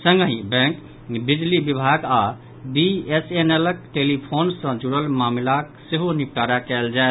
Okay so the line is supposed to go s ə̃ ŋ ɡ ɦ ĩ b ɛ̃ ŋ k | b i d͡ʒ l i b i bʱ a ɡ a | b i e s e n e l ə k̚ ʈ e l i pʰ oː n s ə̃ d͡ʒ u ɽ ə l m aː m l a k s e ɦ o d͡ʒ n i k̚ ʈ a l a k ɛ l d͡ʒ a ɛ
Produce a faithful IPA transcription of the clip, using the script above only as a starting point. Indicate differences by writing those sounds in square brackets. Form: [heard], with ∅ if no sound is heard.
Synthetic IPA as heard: s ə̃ ŋ ɡ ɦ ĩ b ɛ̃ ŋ k | b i d͡ʒ l i b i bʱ a ɡ a | b i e s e n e l ə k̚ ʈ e l i pʰ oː n s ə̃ d͡ʒ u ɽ ə l m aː m l a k s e ɦ o [∅] n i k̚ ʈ a [ɾ] a k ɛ l d͡ʒ a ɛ